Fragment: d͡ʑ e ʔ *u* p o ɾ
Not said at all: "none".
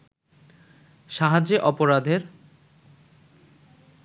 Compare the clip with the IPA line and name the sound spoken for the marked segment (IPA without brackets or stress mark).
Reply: ɔ